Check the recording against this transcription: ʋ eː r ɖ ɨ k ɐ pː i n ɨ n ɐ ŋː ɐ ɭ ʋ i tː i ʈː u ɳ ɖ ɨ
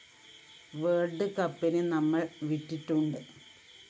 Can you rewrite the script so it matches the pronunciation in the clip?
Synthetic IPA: ʋ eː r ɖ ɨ k ɐ pː i n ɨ n ɐ mː ɐ ɭ ʋ i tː i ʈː u ɳ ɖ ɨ